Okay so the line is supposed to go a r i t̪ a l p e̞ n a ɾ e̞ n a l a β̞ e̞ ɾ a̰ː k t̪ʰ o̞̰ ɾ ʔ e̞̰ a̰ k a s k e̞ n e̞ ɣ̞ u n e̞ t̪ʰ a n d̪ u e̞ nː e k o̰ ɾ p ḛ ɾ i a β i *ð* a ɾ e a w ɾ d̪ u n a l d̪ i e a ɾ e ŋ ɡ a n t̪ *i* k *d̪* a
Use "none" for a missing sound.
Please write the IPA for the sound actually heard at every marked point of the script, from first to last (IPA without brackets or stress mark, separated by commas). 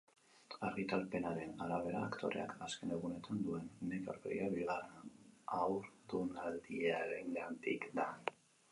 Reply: ɣ, i, d̪